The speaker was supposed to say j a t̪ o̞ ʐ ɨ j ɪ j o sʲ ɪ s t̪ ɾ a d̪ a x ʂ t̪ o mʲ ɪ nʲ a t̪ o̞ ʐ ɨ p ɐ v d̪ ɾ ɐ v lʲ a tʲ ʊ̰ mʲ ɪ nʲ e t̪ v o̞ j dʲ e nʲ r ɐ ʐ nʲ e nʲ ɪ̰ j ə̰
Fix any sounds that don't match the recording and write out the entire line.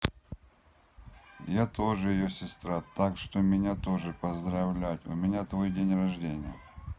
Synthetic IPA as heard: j a t̪ o̞ ʐ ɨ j ɪ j o sʲ ɪ s t̪ ɾ a t̪ a k ʂ t̪ o mʲ ɪ nʲ a t̪ o̞ ʐ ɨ p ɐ z d̪ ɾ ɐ v lʲ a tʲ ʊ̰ mʲ ɪ nʲ a t̪ v o̞ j dʲ e nʲ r ɐ ʐ dʲ e nʲ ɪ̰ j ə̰